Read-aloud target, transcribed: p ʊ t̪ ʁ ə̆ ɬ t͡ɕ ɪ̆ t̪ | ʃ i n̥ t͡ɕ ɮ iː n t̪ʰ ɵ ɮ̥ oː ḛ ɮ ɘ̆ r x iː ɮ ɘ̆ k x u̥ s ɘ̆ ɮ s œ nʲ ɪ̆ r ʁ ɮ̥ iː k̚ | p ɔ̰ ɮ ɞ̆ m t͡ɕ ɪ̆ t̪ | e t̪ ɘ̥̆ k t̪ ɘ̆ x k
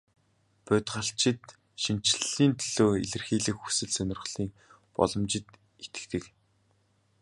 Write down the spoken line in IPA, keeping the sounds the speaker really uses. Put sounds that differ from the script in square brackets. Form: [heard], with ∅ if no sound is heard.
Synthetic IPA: p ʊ t̪ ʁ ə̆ ɬ t͡ɕ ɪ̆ t̪ | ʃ i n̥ t͡ɕ ɮ iː n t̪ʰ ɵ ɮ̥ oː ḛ ɮ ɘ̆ r x iː ɮ ɘ̆ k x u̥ s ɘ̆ ɮ s œ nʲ ɪ̆ r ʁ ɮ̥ iː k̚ | p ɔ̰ ɮ ɞ̆ m t͡ɕ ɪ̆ t̪ | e t̪ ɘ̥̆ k t̪ ɘ̆ [∅] k